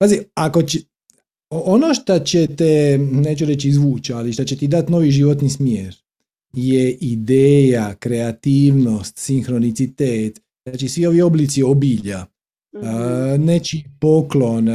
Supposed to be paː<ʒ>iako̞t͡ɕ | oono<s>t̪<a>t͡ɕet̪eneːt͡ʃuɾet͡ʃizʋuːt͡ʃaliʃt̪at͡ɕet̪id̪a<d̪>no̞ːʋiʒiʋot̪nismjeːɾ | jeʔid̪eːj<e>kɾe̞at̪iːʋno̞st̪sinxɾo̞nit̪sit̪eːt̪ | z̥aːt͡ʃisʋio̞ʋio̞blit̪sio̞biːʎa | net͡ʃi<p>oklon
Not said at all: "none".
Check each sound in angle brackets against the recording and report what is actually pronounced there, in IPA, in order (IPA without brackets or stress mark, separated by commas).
z, ʃ, a, t̪, a, p